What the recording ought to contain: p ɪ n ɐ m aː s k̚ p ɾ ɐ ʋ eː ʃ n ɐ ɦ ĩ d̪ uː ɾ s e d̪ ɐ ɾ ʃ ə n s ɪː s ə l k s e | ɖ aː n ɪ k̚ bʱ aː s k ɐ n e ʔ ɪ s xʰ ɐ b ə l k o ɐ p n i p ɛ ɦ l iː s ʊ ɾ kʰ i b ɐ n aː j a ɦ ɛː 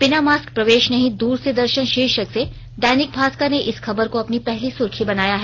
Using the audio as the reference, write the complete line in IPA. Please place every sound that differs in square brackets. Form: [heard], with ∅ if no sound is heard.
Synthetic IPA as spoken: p ɪ n [a] m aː s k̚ p ɾ ɐ ʋ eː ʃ n ɐ ɦ ĩ d̪ uː ɾ s e d̪ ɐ ɾ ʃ ə n [ʃ] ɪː [ʃ] ə [∅] k s e | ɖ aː n ɪ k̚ bʱ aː s k [a] n e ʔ ɪ s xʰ ɐ b ə [ɾ] k o ɐ p n i p ɛ ɦ l [i] s ʊ ɾ kʰ i b ɐ n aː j a ɦ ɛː